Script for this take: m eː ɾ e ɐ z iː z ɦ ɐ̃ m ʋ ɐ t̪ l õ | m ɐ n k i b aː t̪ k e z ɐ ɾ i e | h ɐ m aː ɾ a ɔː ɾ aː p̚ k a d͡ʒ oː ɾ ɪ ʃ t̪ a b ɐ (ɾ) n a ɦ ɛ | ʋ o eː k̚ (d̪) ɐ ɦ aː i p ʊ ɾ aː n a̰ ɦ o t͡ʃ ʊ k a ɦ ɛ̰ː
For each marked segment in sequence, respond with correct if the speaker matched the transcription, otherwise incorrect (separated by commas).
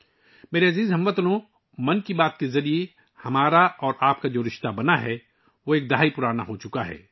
incorrect, correct